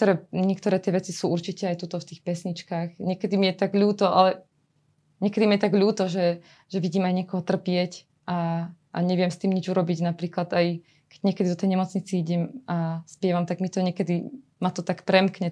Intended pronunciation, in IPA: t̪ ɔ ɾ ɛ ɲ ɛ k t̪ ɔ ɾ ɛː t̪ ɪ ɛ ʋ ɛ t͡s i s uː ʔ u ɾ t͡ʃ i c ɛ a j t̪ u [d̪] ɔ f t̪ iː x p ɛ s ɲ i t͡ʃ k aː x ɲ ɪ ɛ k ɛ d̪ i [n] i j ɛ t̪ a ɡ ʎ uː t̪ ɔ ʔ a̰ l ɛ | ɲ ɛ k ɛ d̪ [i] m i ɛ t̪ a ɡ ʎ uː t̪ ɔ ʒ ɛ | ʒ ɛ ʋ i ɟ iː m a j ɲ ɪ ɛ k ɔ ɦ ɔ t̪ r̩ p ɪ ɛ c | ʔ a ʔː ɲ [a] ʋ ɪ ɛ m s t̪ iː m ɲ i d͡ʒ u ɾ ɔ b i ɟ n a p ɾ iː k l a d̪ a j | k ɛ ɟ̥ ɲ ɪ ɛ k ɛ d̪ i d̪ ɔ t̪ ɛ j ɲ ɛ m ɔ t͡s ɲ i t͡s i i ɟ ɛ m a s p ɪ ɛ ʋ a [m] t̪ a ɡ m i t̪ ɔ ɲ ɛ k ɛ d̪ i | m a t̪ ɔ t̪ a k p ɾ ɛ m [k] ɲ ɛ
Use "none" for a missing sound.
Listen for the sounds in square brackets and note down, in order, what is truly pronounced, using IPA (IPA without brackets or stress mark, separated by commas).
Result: t̪, m, i, ɛ, m, k